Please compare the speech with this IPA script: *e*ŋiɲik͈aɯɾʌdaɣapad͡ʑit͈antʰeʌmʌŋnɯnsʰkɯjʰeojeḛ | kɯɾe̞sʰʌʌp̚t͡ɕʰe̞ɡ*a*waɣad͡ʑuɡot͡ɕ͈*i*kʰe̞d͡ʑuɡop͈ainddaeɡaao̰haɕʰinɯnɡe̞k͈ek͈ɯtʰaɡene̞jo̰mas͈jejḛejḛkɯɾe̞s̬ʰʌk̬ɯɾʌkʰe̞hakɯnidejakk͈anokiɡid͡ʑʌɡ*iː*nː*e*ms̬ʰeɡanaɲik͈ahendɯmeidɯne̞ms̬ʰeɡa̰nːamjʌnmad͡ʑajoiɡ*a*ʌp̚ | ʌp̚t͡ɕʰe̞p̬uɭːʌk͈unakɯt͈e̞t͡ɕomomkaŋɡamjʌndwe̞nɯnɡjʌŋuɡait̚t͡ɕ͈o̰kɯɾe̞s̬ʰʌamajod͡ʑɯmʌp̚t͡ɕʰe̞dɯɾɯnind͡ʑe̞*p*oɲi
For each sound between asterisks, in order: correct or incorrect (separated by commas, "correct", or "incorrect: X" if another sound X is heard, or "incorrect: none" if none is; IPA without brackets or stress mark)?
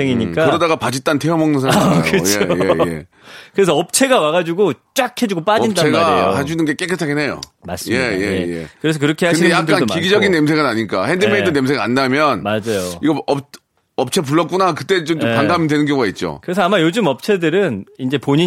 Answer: correct, correct, incorrect: a, incorrect: i, correct, incorrect: ʌ, correct